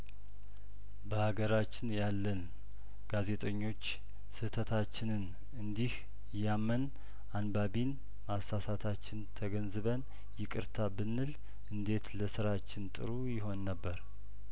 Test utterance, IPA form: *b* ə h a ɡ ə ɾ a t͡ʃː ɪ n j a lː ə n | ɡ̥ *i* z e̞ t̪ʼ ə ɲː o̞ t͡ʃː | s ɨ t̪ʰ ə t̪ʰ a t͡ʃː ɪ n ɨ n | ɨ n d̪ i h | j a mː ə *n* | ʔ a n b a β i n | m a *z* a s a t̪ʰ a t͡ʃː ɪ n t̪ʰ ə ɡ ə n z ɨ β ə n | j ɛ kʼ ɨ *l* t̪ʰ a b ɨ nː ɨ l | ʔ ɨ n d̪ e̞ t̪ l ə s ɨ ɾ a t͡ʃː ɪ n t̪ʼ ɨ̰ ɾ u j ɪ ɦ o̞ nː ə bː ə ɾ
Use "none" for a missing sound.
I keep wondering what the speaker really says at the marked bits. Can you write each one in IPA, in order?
b, a, n, s, ɾ

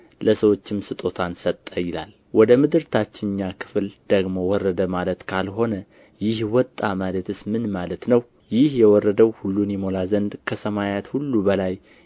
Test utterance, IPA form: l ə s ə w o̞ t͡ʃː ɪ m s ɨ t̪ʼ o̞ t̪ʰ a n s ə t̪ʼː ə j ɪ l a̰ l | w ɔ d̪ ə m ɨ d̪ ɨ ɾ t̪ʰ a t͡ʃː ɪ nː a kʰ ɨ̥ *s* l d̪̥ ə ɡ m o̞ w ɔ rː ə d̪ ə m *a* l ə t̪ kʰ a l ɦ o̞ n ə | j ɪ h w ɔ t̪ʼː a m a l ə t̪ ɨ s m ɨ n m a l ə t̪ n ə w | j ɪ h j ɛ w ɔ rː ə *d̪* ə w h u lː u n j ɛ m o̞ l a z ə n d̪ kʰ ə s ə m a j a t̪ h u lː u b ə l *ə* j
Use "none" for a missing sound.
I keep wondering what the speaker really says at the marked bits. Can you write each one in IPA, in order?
f, a, d̪, a

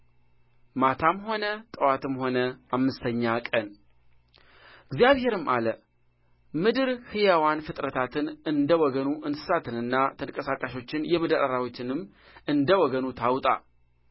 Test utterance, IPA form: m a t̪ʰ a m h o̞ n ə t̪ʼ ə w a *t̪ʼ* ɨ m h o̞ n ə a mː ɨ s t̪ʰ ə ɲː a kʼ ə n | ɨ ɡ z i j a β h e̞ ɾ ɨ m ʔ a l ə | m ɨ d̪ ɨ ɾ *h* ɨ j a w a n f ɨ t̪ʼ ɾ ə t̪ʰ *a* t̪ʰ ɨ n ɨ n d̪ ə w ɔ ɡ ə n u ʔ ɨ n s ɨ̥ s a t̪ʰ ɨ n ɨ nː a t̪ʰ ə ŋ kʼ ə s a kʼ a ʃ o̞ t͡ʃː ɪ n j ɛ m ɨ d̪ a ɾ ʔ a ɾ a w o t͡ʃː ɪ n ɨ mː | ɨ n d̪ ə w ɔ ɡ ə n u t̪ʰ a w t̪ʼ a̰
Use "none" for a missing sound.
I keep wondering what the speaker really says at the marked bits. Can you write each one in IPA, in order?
t̪, h, a

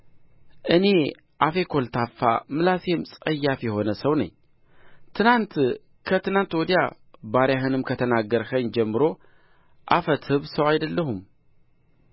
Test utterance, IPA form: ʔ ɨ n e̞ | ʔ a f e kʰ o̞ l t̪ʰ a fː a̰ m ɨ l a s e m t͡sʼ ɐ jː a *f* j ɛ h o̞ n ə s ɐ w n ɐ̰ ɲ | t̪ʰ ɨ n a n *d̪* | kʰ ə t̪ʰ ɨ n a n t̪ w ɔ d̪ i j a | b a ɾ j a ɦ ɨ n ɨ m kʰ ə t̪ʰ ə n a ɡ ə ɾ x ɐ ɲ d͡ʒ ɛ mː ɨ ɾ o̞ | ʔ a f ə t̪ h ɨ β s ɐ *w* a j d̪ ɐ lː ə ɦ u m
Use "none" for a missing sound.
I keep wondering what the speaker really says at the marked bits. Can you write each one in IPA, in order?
f, t̪, w

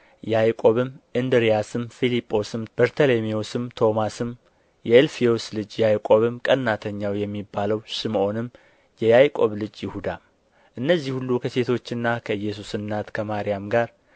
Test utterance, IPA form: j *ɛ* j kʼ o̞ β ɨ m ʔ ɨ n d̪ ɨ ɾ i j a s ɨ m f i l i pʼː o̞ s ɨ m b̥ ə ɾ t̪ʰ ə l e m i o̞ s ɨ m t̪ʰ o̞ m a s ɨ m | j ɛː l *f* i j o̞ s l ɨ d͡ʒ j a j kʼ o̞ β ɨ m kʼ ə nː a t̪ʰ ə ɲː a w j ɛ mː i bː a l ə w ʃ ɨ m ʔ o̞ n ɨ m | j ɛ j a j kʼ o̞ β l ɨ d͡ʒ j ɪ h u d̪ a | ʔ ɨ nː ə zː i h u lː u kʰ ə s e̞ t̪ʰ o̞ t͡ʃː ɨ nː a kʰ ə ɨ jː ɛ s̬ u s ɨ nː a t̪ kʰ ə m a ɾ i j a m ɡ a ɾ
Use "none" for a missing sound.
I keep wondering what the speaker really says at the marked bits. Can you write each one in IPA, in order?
a, f

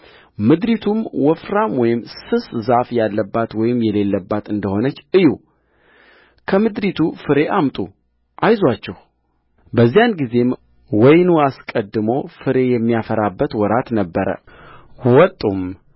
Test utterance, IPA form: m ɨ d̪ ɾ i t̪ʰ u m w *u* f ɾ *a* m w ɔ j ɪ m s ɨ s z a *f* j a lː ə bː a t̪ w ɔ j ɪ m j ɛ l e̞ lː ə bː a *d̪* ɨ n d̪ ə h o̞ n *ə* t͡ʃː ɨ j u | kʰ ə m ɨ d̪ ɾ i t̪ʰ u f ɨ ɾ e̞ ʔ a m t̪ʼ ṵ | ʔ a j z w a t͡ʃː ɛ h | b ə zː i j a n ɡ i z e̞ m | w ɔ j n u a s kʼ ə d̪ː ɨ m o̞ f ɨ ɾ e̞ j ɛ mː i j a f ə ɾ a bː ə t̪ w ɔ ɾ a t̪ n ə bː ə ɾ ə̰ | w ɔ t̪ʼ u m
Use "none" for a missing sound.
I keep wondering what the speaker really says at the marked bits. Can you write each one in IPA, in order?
ɔ, a, f, t̪, ə

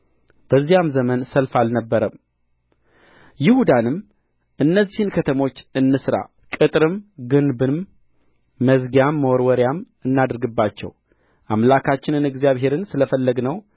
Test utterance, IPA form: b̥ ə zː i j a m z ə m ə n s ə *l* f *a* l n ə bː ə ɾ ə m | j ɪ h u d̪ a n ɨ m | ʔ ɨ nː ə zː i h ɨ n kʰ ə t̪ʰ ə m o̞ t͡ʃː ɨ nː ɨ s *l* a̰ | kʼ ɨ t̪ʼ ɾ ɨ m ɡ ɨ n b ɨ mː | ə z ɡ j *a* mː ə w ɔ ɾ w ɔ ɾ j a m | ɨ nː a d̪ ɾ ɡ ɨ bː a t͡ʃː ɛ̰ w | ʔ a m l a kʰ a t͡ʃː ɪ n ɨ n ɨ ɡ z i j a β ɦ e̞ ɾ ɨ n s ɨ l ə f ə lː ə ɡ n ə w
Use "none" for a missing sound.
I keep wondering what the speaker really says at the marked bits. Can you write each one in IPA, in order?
l, a, ɾ, a

